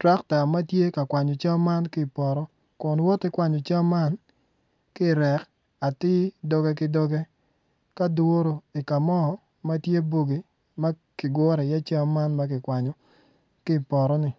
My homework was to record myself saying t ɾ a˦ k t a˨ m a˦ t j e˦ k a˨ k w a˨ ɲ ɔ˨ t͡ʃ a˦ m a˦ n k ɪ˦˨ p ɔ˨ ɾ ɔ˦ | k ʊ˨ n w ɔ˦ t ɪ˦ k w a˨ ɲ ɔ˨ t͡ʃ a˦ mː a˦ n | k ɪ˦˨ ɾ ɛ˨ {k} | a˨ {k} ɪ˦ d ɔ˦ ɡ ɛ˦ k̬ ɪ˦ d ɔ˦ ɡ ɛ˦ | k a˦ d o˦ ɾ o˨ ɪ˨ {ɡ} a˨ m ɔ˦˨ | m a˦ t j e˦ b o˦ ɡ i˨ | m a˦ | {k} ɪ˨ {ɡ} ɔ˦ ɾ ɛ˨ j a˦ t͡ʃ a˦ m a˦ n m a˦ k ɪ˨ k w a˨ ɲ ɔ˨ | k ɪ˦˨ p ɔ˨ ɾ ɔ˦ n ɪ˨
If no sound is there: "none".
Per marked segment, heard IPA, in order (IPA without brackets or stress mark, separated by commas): k, t, k, k, ɡ